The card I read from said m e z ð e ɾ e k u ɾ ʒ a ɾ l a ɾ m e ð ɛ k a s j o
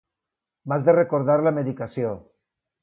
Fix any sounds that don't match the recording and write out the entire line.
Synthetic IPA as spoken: m a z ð e r e k o ɾ ð a ɾ l a m e ð i k a s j o